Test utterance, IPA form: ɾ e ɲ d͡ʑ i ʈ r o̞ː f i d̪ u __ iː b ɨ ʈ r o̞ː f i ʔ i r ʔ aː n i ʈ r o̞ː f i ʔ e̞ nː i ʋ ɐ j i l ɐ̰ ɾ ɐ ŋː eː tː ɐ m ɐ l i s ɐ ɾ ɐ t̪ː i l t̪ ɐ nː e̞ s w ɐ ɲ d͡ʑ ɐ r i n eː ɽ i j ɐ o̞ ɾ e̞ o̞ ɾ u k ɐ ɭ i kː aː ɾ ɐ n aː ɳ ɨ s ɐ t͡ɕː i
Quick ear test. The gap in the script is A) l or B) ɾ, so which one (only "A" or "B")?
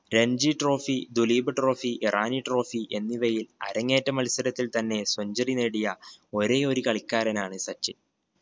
A